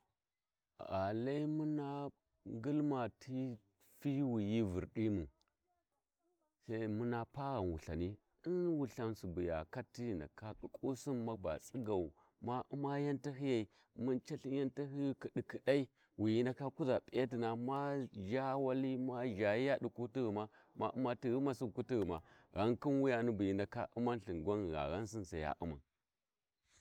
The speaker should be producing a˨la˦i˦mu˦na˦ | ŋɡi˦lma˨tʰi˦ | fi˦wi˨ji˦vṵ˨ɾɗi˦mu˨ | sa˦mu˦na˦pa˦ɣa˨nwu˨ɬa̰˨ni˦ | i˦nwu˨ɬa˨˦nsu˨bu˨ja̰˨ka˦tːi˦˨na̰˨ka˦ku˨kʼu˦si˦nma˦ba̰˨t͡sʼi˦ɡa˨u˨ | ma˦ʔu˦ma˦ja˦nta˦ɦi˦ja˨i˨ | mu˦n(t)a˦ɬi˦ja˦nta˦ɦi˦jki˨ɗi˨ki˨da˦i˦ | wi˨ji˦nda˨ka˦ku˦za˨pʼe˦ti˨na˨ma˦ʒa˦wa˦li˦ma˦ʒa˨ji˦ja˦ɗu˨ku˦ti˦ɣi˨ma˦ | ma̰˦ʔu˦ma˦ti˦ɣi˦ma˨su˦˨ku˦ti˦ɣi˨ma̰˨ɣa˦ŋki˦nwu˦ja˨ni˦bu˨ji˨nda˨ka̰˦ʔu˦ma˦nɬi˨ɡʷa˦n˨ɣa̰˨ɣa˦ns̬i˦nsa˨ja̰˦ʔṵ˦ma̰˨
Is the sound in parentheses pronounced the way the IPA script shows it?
no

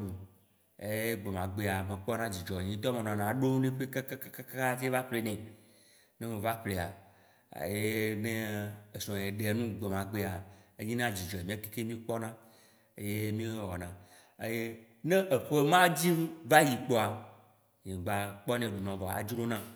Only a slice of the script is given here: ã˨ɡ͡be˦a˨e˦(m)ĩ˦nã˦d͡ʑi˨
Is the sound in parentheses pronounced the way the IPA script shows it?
no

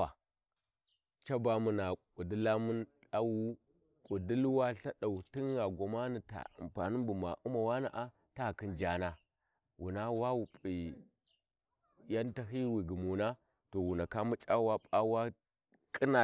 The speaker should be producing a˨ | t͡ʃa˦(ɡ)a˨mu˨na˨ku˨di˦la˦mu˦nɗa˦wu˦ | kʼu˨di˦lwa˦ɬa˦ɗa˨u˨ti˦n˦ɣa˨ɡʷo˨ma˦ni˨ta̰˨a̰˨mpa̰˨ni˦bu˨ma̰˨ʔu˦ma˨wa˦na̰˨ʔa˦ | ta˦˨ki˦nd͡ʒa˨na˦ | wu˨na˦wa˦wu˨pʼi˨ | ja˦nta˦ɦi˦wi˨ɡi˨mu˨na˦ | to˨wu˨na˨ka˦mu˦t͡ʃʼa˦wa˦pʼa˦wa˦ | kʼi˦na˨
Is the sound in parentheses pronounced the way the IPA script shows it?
no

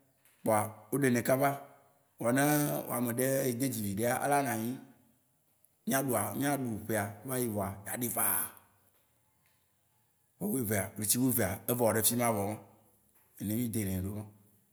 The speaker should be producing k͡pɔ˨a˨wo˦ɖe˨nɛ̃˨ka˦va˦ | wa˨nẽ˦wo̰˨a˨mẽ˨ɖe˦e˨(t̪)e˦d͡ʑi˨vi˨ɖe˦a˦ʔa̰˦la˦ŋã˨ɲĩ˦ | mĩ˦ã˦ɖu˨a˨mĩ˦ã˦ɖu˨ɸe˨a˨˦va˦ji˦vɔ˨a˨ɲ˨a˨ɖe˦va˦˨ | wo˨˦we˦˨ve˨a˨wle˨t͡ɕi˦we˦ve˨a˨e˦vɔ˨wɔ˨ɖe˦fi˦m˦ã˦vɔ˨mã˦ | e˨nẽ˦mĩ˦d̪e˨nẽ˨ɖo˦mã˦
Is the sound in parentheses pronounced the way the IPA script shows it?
no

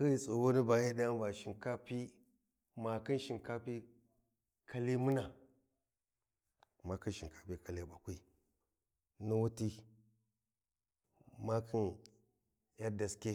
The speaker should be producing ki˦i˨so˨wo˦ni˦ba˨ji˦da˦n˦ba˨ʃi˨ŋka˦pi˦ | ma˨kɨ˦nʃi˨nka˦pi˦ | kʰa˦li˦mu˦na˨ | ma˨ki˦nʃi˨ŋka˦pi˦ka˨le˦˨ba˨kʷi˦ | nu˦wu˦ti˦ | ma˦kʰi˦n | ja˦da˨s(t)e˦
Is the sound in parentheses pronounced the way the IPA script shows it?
no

